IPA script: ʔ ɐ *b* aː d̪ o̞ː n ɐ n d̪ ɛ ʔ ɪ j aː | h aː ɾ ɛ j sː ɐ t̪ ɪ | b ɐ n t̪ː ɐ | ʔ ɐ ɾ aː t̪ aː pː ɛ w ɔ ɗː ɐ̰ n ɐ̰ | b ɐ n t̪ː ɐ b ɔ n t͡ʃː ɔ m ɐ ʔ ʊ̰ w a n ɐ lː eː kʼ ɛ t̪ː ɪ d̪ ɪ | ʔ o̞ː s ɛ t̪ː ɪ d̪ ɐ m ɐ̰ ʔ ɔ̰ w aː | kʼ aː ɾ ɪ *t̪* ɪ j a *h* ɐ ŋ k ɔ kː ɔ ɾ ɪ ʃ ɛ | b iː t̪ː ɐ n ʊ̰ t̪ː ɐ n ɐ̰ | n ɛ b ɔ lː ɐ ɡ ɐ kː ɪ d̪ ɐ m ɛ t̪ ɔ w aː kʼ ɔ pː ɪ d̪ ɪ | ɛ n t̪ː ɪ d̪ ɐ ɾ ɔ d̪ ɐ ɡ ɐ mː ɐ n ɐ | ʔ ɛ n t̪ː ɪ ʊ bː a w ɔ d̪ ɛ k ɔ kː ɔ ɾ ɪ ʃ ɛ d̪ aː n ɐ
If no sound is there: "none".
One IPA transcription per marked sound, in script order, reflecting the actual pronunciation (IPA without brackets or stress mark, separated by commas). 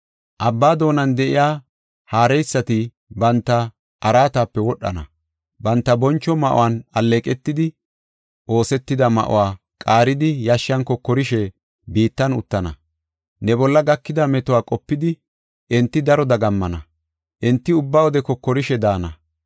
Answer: bː, d̪, ʃ